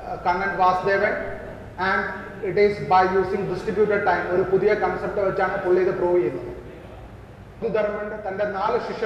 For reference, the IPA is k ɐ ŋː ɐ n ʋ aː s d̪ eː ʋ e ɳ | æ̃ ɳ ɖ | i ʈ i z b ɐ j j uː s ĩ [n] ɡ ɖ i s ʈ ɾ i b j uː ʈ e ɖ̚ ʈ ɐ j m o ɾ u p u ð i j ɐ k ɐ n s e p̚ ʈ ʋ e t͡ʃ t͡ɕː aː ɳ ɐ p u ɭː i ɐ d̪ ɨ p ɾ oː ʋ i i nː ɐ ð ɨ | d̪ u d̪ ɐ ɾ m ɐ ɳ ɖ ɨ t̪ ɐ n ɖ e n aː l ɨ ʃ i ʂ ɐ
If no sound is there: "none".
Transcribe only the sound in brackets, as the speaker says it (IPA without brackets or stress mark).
ŋ